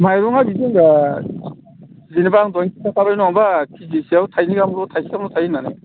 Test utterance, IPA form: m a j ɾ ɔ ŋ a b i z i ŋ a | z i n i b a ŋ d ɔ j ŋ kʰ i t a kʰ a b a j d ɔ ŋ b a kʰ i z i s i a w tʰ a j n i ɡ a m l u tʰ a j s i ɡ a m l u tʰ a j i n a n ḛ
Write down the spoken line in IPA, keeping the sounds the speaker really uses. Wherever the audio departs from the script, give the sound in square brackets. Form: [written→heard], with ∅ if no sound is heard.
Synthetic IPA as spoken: m a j ɾ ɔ ŋ a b i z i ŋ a | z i n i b a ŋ d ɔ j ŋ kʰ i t a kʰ a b a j [d→n] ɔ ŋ b a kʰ i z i s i a w tʰ a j n i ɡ a m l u tʰ a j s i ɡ a m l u tʰ a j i n a n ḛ